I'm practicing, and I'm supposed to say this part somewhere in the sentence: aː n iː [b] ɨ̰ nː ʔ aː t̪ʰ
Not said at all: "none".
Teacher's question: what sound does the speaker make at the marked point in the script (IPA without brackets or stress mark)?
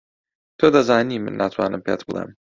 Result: m